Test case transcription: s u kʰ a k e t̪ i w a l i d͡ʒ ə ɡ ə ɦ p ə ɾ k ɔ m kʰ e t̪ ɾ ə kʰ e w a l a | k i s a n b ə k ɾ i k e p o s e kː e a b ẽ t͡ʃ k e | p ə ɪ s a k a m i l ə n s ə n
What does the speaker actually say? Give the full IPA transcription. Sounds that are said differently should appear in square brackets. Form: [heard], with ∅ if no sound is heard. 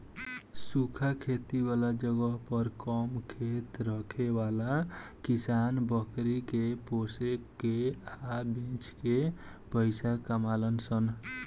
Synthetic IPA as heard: s u kʰ a [kʰ] e t̪ i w a l [a] d͡ʒ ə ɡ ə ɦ p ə ɾ k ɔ m kʰ e t̪ ɾ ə kʰ e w a l a | k i s a n b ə k ɾ i k e p o s e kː e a b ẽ t͡ʃ k e | p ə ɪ s a k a m [a] l ə n s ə n